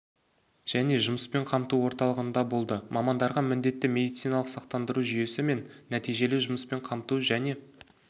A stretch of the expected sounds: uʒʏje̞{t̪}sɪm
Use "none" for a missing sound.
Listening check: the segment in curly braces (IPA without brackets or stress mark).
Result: none